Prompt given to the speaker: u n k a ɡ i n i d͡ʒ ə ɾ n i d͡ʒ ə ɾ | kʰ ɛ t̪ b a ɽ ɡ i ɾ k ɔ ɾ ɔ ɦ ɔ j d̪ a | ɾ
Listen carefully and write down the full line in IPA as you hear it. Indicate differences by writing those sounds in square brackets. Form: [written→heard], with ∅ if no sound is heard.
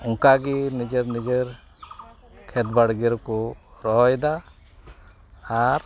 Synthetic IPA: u [n→ŋ] k a ɡ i n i d͡ʒ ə ɾ n i d͡ʒ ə ɾ | kʰ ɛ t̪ b a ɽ ɡ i ɾ k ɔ ɾ ɔ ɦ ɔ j d̪ a | ɾ